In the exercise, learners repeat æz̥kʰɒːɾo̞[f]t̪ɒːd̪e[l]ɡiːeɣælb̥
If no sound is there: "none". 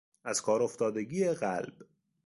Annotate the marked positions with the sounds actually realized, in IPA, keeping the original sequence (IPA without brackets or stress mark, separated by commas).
f, none